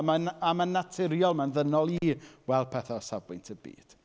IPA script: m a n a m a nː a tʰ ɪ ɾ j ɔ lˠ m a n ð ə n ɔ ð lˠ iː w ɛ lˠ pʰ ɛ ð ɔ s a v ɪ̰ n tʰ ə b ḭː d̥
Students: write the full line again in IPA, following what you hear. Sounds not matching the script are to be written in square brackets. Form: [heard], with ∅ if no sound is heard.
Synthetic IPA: m a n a m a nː a tʰ ɪ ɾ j ɔ lˠ m a n ð ə n ɔ [∅] lˠ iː w ɛ lˠ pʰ ɛ [θ] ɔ s a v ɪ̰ n tʰ ə b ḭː d̥